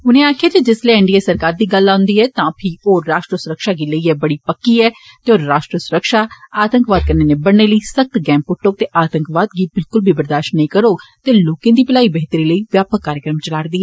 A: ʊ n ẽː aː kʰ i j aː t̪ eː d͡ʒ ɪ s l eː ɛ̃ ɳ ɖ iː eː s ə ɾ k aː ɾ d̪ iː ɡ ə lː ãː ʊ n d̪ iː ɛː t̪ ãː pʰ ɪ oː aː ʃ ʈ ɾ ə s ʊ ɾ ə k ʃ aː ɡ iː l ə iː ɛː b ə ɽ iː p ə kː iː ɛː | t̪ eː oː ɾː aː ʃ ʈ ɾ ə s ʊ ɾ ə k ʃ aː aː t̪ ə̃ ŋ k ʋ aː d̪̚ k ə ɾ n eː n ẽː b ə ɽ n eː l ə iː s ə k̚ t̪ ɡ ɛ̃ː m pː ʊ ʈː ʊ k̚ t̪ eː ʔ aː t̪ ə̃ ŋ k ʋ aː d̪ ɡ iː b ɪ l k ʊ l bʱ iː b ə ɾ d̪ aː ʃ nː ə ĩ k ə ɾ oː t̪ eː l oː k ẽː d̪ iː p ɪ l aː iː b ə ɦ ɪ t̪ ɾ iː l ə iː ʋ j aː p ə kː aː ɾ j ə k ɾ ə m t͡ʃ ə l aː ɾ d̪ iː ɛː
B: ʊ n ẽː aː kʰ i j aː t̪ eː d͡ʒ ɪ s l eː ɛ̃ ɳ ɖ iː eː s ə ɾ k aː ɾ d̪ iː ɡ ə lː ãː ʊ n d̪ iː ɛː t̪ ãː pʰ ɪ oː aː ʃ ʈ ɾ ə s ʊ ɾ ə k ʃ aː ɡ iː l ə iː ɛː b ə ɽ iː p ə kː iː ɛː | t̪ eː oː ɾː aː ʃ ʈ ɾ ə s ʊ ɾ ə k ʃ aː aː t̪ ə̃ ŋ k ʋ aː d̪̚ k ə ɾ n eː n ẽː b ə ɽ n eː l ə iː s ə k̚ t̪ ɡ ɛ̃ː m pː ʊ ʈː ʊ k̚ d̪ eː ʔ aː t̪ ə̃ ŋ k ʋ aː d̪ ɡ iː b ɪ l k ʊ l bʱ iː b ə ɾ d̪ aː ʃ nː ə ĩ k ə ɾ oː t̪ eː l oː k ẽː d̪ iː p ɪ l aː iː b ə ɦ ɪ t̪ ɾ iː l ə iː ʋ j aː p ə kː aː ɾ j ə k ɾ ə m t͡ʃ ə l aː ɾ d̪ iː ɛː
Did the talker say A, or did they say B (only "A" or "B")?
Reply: A